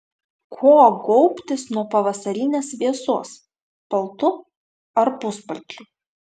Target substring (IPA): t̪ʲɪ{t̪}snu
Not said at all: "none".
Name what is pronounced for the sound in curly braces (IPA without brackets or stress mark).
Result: none